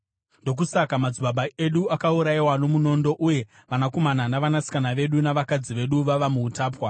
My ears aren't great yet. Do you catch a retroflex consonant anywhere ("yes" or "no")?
no